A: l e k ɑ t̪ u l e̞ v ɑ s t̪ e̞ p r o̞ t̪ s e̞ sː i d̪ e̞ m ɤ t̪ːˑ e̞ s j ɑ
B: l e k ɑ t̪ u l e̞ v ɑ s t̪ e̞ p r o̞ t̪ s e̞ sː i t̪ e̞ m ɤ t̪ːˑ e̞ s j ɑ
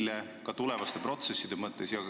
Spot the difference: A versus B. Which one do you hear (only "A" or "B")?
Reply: A